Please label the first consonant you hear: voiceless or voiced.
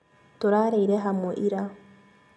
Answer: voiceless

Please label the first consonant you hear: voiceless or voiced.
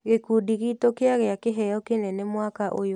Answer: voiced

